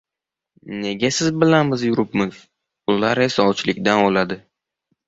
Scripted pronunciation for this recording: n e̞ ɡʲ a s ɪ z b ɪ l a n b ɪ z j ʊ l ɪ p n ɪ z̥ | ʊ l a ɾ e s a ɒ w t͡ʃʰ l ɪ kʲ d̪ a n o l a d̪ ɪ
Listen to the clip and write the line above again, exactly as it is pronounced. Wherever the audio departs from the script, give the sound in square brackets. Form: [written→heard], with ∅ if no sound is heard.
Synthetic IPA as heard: n e̞ ɡʲ a s ɪ z b ɪ l a n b ɪ z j ʊ [l→ɾ] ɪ p [n→m] ɪ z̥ | ʊ l a ɾ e s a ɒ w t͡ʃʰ l ɪ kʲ d̪ a n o l a d̪ ɪ